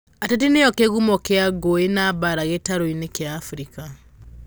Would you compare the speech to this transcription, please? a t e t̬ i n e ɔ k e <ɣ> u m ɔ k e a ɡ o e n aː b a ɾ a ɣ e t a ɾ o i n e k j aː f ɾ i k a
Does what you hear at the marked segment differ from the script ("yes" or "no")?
no